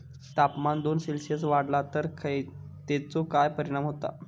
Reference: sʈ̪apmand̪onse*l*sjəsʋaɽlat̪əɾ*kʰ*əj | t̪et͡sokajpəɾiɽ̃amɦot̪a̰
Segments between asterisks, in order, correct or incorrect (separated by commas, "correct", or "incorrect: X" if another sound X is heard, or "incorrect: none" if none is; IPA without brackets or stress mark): correct, correct